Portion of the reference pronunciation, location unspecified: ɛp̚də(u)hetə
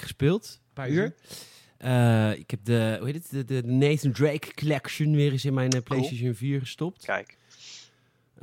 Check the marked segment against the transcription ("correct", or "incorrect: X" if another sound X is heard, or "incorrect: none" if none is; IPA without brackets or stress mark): correct